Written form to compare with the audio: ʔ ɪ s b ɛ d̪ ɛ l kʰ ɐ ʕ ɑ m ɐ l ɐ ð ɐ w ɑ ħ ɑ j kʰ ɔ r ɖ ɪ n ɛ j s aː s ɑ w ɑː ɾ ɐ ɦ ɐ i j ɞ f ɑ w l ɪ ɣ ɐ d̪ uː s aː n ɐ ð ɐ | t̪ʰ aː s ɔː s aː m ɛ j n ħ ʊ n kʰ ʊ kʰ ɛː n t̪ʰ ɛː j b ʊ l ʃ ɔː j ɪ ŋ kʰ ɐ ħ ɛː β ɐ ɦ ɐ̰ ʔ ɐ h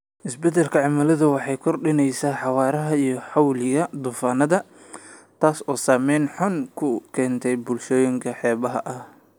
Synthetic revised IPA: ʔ ɪ s b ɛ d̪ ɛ l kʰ ɐ ʕ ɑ m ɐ l ɐ ð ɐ w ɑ ħ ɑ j kʰ ɔ r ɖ ɪ n ɛ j s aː ħ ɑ w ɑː ɾ ɐ ɦ ɐ i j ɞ ħ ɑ w l ɪ ɣ ɐ d̪ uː f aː n ɐ ð ɐ | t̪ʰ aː s ɔː s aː m ɛ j n ħ ʊ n kʰ ʊ kʰ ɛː n t̪ʰ ɛ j b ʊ l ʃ ɔː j ɪ ŋ kʰ ɐ ħ ɛː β ɐ ɦ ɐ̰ ʔ ɐ h